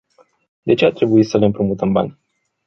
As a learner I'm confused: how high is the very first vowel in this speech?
mid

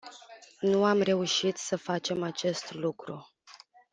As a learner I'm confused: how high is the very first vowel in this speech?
high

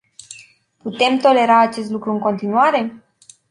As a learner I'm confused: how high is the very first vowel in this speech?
high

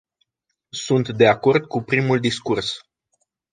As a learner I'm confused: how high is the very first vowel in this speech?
high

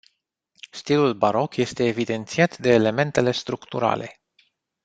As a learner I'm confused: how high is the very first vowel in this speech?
high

